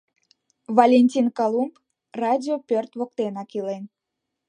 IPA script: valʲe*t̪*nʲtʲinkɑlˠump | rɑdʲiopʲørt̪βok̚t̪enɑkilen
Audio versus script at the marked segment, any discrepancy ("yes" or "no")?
yes